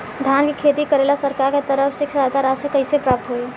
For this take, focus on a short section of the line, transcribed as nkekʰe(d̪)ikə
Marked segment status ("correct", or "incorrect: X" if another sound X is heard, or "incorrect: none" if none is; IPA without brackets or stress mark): incorrect: t̪